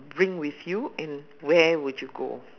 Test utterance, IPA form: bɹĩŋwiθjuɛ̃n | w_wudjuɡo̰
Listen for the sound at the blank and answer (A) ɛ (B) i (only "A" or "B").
A